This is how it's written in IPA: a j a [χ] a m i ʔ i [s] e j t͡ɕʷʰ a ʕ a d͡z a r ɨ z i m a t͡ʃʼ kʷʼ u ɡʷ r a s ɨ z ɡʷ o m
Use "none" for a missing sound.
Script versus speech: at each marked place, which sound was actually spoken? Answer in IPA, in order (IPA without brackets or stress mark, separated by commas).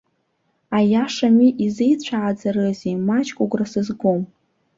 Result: ʂ, z